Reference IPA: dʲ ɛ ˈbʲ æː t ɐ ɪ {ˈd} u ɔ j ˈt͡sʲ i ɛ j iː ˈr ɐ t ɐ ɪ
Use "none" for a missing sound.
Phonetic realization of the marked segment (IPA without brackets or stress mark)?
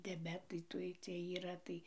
t